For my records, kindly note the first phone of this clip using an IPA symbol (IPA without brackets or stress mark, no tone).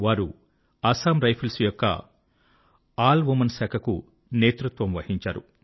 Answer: ʋ